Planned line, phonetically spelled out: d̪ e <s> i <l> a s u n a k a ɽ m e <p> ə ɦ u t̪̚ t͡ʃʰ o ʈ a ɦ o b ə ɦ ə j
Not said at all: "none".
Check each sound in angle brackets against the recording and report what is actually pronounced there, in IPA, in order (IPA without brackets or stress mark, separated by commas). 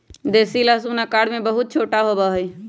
s, l, b